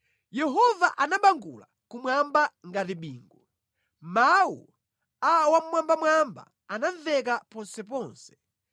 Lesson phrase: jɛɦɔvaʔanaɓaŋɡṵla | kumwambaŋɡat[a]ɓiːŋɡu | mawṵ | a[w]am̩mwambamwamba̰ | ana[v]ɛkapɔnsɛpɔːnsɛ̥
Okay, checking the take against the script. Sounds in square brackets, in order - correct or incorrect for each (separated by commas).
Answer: incorrect, correct, correct